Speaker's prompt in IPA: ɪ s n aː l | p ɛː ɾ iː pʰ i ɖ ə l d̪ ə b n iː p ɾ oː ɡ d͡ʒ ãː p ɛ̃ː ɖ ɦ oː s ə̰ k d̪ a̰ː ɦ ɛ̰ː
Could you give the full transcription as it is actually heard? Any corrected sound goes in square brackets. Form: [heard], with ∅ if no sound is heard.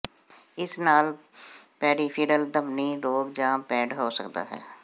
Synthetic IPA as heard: ɪ s n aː l | p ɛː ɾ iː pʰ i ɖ ə l d̪ ə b n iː [∅] ɾ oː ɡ d͡ʒ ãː p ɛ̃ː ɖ ɦ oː s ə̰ k d̪ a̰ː ɦ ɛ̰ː